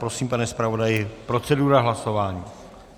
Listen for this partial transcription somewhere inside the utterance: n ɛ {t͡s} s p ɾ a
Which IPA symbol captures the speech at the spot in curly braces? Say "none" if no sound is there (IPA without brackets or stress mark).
none